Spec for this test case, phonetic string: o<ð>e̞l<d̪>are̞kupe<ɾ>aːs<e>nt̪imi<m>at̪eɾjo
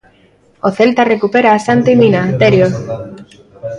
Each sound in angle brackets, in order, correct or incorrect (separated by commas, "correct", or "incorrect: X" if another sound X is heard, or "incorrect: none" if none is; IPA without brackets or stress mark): incorrect: θ, incorrect: t̪, correct, incorrect: a, incorrect: n